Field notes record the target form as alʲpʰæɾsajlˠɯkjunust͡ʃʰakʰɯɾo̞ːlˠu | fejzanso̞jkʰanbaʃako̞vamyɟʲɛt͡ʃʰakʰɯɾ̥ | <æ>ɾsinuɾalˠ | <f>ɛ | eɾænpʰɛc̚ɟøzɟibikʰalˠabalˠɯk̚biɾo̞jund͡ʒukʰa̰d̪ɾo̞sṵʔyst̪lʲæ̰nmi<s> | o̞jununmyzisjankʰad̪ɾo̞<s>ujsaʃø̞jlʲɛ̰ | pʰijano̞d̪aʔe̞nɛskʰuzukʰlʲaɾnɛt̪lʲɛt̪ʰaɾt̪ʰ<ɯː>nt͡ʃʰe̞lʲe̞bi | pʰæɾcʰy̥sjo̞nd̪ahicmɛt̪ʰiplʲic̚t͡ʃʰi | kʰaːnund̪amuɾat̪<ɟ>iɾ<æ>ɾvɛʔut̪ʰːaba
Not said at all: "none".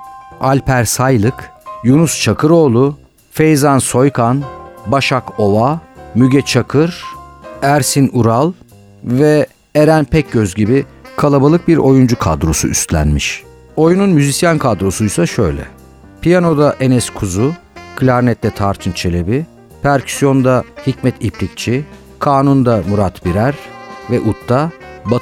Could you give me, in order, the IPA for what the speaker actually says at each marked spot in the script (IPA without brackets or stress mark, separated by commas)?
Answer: æ, v, ʃ, s, ɯ, b, æ